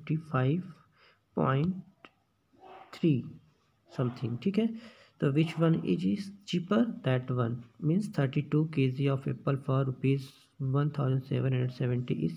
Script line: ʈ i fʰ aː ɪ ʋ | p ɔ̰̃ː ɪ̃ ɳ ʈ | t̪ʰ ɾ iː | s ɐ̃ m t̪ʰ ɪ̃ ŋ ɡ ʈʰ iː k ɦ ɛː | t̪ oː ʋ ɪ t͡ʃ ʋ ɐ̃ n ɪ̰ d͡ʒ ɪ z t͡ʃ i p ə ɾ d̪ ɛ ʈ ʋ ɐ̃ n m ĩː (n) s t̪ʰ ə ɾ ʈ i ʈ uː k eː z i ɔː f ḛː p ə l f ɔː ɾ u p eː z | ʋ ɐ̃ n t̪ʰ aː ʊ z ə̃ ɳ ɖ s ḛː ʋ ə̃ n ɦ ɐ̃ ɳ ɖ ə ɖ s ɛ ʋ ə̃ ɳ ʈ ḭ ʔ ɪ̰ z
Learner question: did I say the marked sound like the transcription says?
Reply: yes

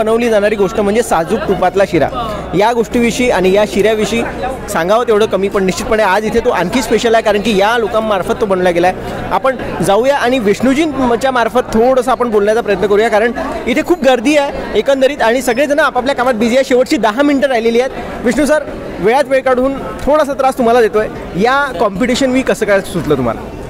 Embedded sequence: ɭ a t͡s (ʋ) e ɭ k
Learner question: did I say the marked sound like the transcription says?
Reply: yes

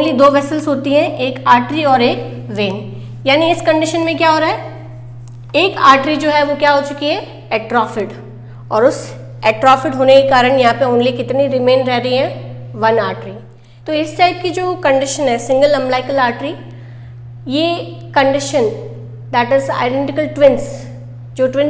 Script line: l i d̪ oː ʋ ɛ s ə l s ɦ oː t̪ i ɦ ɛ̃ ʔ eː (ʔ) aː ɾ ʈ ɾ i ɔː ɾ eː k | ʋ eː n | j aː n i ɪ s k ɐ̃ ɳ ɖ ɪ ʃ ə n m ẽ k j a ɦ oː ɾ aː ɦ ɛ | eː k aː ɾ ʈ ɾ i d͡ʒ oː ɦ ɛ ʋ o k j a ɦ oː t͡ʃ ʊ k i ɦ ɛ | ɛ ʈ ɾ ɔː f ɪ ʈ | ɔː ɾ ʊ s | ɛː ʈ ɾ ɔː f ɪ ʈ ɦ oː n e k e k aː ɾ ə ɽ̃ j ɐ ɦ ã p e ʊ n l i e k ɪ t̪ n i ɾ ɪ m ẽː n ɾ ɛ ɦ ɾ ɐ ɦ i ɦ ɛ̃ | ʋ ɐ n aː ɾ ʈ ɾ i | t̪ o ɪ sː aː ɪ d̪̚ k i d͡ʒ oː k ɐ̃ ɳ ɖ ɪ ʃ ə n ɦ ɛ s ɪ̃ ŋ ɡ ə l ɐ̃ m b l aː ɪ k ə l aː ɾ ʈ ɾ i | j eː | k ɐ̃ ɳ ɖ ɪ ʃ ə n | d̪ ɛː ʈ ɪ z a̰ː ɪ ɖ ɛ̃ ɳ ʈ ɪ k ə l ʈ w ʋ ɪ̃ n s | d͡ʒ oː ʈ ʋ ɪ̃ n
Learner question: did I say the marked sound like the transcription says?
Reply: no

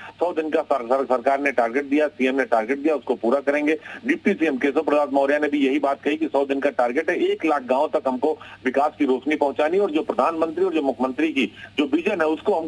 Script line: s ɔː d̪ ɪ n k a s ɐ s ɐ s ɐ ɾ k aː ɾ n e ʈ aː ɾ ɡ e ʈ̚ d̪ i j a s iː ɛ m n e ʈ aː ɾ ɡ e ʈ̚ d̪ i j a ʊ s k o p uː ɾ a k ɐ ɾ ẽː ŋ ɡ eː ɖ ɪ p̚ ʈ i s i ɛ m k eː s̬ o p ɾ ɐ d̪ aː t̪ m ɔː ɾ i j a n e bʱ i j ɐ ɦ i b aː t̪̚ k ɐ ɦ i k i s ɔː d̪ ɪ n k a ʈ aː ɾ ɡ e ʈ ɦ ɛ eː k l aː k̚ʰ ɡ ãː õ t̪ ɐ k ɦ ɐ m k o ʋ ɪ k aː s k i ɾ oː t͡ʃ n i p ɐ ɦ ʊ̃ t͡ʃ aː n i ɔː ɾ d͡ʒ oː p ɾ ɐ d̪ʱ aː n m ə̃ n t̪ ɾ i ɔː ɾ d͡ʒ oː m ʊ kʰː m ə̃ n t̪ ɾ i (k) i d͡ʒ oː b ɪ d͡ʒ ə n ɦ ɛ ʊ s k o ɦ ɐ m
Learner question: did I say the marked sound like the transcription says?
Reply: yes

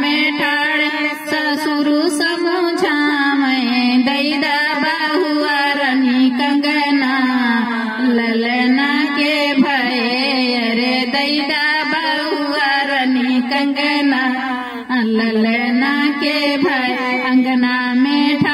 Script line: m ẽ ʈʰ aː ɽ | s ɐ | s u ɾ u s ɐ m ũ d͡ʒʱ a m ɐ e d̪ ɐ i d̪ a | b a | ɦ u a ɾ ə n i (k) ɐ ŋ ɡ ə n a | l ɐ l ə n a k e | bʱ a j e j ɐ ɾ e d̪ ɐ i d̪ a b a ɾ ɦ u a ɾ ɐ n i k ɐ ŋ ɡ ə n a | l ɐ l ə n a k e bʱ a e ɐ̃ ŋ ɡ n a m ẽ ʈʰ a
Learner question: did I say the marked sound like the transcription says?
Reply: yes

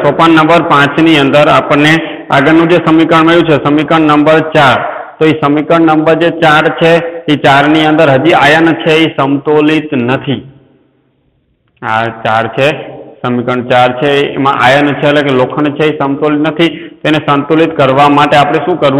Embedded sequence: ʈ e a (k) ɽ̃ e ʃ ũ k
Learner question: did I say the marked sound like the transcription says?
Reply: no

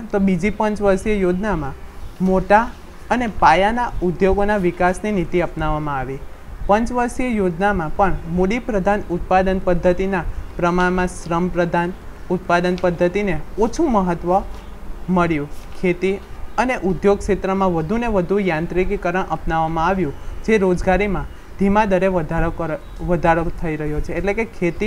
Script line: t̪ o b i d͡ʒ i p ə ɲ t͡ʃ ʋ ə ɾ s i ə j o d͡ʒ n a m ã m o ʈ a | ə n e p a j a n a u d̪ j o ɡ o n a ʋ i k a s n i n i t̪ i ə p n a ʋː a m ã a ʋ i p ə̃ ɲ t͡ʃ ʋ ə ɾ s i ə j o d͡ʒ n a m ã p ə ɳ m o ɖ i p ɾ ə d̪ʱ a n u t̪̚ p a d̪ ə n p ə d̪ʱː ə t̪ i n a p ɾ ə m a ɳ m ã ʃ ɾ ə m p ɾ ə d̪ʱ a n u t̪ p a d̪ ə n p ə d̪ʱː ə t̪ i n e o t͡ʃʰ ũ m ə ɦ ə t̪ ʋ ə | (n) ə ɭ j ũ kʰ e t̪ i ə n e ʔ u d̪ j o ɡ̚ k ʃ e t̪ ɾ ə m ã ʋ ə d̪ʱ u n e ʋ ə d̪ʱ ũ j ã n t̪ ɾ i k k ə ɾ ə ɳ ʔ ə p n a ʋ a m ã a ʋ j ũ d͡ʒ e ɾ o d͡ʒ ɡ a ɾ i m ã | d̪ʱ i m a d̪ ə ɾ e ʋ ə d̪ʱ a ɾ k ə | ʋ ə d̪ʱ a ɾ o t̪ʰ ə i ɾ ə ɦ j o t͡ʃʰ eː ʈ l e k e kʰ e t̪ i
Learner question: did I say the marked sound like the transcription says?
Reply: no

